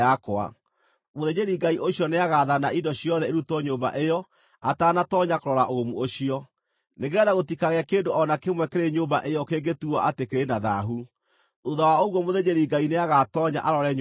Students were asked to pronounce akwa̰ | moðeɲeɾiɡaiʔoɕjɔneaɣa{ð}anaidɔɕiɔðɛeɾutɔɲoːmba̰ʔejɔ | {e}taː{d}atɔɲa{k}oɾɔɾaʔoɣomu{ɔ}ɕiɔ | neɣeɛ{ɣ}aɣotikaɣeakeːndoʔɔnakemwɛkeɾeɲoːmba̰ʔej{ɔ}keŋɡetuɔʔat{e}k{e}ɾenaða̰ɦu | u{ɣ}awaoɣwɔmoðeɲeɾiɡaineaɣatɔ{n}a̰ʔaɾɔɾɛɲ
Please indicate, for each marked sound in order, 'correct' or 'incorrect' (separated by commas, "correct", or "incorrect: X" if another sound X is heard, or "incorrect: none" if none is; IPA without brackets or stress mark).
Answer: correct, incorrect: a, incorrect: n, correct, incorrect: o, incorrect: ð, correct, correct, correct, incorrect: ð, incorrect: ɲ